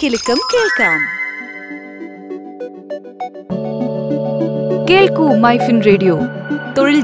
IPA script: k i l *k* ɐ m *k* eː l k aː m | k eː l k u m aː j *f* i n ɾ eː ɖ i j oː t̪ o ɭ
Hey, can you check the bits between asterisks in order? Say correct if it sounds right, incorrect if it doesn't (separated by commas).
correct, correct, correct